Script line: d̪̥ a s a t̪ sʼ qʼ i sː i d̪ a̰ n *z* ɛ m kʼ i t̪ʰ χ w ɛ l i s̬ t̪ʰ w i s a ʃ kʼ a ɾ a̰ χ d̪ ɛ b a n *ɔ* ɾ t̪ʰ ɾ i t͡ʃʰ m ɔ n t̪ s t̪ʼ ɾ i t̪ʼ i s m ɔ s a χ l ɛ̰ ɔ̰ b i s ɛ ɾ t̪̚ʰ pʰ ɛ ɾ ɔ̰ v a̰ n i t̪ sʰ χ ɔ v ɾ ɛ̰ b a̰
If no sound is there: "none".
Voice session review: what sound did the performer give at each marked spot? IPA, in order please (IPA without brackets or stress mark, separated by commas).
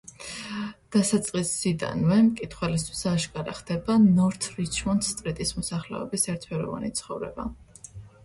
v, ɔ